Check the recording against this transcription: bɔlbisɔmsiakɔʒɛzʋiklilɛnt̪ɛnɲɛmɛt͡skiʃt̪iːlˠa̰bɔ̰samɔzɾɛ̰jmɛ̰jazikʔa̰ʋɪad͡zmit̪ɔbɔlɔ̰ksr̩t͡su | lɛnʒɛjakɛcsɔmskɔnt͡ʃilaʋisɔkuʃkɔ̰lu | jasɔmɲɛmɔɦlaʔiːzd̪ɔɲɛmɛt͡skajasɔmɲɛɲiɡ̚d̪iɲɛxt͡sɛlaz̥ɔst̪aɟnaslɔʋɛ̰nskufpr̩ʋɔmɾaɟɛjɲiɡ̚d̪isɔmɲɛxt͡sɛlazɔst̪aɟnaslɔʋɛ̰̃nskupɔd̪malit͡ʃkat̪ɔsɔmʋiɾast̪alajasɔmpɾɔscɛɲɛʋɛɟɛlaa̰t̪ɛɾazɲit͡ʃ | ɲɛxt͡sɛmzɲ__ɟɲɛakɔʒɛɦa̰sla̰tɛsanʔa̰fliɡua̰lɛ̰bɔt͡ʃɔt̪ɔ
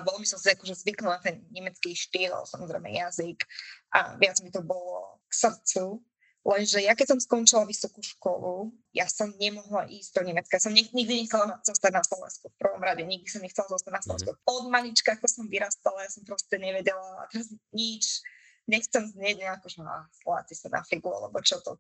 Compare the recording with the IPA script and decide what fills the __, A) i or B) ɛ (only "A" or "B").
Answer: B